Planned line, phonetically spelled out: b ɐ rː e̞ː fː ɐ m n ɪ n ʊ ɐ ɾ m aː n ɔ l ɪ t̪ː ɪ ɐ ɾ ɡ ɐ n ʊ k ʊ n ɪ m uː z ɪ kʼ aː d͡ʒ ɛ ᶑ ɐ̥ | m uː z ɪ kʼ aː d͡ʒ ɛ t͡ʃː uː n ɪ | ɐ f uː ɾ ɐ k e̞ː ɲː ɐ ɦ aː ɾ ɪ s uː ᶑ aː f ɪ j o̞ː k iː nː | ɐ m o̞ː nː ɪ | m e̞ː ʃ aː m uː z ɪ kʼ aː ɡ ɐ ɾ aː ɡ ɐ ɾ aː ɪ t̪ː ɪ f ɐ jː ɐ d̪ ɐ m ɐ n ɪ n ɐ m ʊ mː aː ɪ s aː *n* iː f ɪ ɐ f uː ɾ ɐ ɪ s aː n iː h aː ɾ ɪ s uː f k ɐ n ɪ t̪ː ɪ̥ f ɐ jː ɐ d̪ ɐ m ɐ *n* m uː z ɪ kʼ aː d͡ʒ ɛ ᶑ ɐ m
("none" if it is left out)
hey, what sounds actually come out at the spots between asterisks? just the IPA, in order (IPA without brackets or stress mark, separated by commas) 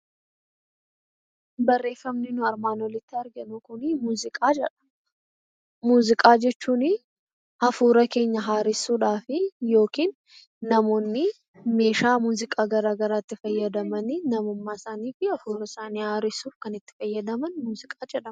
n, n